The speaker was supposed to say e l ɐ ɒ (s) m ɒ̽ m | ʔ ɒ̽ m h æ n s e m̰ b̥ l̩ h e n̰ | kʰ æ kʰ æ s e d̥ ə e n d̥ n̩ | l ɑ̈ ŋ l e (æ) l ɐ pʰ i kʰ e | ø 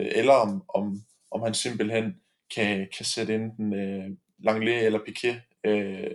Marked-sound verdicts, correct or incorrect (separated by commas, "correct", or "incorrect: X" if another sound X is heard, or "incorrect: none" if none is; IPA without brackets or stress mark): incorrect: none, incorrect: e